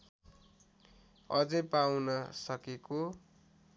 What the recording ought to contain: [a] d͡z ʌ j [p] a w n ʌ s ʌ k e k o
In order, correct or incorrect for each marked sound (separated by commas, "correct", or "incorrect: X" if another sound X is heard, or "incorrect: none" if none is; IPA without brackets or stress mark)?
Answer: incorrect: ʌ, correct